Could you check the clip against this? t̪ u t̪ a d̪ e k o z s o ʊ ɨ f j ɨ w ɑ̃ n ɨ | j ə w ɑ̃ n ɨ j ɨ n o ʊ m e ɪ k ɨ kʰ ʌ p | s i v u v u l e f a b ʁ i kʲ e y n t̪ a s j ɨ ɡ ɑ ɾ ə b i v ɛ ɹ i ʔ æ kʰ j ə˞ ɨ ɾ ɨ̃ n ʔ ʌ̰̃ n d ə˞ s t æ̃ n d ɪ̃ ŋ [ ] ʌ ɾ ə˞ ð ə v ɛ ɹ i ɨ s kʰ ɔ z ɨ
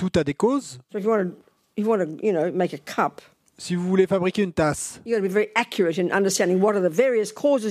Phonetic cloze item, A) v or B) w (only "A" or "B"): B